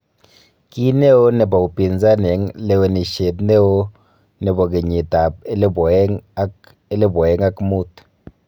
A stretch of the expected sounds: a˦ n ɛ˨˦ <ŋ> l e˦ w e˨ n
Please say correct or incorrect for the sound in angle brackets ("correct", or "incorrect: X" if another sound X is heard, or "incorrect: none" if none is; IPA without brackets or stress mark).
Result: correct